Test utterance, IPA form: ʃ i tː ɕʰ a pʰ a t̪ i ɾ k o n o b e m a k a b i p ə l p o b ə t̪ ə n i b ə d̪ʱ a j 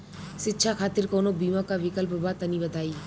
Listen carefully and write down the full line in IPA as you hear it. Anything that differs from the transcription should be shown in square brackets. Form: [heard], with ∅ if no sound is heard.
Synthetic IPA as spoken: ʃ i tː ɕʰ a [kʰ] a t̪ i ɾ k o n o b [i] m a k a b i [k] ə l p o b [a] t̪ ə n i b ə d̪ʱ a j